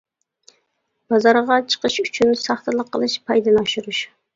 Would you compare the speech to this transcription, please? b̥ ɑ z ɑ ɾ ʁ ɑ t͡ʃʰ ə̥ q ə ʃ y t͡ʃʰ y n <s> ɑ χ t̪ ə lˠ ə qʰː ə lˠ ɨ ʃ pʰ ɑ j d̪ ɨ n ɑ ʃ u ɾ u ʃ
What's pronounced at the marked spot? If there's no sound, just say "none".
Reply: s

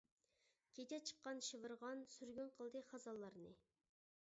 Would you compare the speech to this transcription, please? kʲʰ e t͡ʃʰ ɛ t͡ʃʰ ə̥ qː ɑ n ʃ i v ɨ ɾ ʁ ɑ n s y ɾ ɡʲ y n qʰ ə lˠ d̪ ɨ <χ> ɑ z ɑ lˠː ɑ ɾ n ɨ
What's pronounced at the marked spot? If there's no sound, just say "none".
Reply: χ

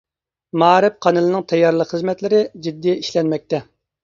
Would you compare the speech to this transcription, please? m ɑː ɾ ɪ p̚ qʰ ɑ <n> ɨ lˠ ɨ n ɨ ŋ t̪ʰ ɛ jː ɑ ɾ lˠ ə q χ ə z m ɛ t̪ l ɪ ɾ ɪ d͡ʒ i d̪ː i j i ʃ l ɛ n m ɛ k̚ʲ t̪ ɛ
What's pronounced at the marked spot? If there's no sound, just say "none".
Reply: n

